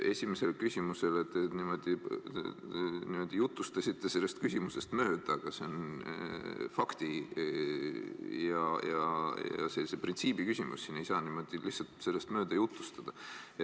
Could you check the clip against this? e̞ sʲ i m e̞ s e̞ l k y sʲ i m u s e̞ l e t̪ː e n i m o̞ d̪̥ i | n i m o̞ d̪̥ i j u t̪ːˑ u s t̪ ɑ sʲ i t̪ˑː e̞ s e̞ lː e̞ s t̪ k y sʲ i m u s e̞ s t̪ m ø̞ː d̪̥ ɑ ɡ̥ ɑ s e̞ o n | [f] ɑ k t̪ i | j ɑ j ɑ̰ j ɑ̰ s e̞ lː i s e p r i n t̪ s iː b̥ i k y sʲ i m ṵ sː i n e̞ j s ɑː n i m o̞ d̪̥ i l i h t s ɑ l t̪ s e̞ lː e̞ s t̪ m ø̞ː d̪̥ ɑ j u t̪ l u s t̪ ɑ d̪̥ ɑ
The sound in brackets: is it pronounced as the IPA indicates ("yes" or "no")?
yes